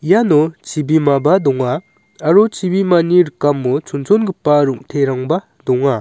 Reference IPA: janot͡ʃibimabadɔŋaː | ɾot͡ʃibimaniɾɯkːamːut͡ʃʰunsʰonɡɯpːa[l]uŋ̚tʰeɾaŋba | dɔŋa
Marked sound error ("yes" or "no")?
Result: yes